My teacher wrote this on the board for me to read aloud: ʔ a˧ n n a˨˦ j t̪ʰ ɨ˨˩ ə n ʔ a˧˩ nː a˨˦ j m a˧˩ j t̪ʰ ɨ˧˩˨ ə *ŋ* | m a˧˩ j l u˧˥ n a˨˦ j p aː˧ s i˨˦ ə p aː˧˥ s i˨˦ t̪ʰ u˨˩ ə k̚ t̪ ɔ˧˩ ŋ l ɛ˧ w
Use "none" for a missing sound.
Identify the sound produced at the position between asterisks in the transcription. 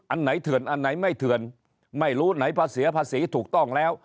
n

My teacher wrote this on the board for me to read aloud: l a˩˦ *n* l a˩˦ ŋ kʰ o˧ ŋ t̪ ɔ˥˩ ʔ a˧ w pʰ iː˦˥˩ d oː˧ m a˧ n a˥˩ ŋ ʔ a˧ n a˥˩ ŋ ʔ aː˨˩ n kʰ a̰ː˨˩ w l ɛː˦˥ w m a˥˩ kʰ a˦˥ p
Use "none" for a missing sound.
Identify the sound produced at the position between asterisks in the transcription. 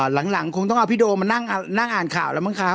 ŋ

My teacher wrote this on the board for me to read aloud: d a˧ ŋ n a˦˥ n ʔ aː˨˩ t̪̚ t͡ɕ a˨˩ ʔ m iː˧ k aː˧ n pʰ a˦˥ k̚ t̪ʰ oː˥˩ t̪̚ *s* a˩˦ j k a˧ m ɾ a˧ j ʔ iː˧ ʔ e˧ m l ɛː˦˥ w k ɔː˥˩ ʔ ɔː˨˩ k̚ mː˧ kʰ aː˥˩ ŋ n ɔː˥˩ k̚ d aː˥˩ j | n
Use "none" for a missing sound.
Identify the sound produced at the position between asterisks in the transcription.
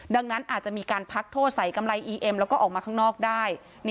s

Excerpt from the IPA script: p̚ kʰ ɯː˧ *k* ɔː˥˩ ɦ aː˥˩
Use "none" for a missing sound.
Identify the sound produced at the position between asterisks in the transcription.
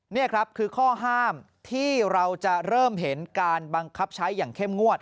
kʰ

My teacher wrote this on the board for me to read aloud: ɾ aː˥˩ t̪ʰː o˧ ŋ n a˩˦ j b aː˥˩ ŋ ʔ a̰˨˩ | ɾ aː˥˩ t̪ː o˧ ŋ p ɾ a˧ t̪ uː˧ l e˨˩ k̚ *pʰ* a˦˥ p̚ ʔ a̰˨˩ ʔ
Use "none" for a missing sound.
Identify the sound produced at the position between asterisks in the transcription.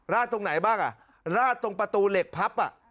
pʰ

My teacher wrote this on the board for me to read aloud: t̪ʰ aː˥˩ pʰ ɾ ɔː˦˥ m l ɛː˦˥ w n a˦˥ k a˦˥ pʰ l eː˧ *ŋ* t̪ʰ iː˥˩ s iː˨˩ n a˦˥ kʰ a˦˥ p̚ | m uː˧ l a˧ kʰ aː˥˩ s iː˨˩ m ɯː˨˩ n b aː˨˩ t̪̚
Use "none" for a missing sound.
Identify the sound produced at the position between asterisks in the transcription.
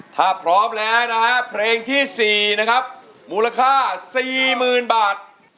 ŋ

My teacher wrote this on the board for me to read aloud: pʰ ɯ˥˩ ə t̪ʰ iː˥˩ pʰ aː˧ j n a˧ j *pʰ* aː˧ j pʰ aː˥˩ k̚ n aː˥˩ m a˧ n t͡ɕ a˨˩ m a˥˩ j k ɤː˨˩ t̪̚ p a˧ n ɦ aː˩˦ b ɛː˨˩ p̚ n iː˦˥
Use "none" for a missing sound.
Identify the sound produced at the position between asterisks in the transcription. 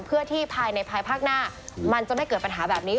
pʰ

